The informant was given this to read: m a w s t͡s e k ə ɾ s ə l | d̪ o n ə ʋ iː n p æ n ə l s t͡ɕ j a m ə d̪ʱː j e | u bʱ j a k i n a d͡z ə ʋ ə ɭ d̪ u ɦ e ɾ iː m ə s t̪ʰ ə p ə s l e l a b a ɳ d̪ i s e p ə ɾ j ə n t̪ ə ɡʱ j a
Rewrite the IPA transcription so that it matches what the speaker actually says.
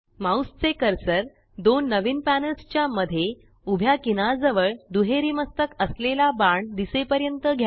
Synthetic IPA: m a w s t͡s e k ə ɾ s ə ɾ | d̪ o nː ə ʋ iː n p æ n ə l s t͡ɕ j a m ə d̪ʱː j e | u bʱ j a k i n a d͡z ə ʋ ə ɭ d̪ u ɦ e ɾ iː m ə s t̪ ə k ə s l e l a b a ɳ d̪ i s e p ə ɾ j ə n t̪ ə ɡʱ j a